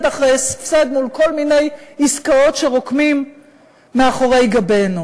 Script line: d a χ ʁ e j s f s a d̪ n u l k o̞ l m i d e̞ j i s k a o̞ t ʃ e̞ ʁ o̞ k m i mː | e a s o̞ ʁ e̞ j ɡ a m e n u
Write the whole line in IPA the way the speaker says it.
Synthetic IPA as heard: d a χ ʁ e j s f s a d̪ n u l k o̞ l m i n e̞ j i s k a o̞ t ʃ e̞ ʁ o̞ k m i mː | e a χ o̞ ʁ e̞ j ɡ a b e n u